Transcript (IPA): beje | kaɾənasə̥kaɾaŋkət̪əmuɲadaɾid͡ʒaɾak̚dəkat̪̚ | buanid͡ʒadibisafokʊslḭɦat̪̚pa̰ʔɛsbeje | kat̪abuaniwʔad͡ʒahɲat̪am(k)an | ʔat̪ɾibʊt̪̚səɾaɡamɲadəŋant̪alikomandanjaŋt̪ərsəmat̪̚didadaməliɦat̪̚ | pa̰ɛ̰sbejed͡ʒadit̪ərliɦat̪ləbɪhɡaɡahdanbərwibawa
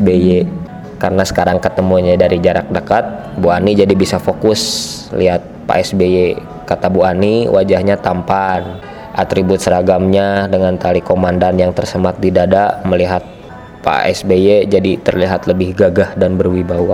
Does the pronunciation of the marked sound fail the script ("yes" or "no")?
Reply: yes